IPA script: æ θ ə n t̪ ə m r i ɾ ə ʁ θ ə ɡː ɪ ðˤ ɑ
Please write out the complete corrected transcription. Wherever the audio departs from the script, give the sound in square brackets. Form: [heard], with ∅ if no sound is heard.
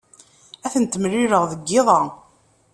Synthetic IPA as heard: æ θ ə n t̪ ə m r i ɾ ə ʁ [ð] ə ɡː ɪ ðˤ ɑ